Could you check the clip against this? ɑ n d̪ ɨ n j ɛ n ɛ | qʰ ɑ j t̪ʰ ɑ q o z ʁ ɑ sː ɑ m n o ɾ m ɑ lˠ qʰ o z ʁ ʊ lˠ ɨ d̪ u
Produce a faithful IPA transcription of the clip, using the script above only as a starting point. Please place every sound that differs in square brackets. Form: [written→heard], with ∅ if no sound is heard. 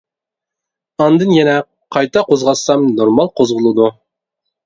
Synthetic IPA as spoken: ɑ n d̪ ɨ n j ɛ n ɛ | qʰ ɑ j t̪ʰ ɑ q o z ʁ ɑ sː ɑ m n o ɾ m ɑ lˠ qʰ o z ʁ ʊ lˠ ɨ d̪ u